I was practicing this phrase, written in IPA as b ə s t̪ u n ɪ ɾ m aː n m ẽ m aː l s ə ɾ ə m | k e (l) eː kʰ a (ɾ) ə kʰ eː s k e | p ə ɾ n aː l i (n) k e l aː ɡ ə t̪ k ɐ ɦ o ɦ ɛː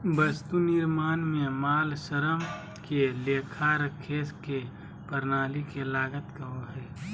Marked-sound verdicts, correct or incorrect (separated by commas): correct, correct, incorrect